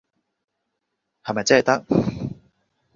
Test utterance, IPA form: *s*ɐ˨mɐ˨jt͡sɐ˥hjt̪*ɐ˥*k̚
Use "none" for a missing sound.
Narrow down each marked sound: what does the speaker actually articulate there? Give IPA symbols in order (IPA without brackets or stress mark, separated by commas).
h, ɐ˥